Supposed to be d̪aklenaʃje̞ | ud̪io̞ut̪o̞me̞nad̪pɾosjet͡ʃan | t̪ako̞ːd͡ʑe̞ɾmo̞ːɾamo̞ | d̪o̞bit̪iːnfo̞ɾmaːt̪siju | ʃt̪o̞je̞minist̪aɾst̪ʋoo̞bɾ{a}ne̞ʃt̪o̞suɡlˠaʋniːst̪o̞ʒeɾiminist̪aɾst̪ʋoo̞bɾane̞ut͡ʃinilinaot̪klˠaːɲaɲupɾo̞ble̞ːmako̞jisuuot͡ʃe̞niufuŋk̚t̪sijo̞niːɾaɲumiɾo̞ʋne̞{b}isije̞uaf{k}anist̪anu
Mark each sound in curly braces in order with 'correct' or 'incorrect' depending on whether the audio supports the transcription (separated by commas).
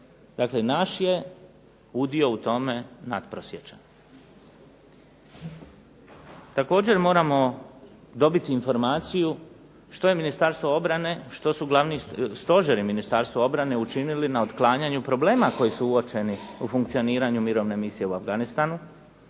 correct, incorrect, incorrect